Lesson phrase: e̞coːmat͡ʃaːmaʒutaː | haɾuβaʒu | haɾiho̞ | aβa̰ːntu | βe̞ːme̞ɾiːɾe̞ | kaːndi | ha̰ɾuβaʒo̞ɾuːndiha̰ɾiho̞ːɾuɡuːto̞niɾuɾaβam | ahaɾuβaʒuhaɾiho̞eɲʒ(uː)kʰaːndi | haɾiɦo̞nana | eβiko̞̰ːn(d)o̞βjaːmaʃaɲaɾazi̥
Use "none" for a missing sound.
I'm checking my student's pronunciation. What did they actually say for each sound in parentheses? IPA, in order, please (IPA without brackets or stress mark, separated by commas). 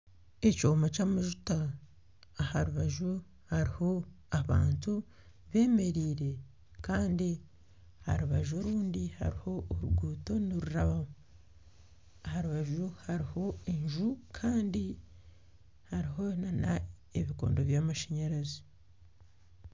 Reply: u, d